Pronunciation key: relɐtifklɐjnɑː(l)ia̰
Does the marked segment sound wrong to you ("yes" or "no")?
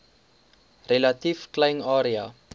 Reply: yes